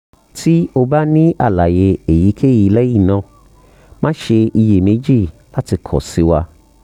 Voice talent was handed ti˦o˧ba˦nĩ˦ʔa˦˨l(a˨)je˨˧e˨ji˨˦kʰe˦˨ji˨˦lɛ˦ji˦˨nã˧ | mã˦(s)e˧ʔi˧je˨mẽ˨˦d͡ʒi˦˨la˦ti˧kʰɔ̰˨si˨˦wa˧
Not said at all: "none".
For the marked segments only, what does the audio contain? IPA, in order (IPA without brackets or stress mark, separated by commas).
a˨, ʃ